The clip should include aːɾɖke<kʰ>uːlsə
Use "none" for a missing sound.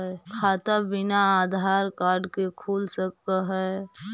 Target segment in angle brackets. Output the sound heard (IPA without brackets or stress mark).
kʰ